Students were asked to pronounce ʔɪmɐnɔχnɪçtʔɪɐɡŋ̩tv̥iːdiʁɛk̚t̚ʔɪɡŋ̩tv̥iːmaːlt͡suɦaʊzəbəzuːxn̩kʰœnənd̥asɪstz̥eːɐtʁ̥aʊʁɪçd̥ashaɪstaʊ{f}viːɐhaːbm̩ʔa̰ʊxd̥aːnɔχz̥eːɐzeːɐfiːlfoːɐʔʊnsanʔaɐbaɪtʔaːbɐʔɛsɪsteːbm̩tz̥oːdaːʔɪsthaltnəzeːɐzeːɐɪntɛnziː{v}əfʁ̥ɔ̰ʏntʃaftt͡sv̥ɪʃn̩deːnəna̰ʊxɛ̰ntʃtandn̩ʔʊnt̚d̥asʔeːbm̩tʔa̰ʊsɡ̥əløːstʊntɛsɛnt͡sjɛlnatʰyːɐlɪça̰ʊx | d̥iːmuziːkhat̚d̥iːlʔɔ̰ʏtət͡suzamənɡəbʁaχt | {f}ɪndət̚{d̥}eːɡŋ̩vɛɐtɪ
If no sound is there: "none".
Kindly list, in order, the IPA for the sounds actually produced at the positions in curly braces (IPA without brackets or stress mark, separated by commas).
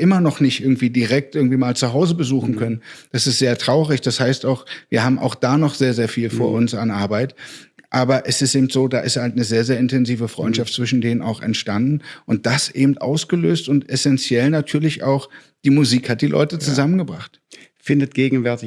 x, v, f, ɡ̥